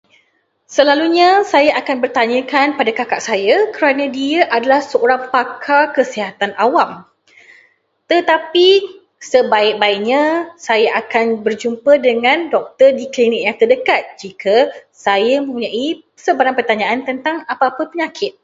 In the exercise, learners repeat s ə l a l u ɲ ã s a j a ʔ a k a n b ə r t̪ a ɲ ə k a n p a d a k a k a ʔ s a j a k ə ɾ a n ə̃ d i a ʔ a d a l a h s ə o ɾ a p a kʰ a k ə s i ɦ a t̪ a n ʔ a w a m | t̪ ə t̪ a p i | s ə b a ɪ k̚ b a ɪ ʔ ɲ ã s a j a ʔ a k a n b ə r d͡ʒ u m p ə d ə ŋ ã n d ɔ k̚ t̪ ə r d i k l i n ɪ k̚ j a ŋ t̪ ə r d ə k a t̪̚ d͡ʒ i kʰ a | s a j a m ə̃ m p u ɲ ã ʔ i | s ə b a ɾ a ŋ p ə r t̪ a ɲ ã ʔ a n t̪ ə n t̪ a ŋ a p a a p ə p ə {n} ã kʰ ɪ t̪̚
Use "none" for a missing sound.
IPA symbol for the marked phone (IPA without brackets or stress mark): ɲ